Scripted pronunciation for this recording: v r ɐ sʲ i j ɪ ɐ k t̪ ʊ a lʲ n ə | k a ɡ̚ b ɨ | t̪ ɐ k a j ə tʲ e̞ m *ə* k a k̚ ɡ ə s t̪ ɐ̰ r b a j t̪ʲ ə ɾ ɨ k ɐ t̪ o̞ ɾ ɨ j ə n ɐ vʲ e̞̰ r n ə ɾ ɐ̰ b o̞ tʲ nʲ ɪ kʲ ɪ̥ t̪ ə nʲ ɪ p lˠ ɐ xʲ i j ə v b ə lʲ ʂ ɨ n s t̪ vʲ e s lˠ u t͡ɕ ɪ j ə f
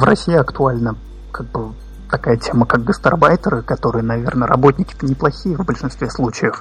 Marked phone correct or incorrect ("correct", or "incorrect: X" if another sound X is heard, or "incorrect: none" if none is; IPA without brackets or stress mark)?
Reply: correct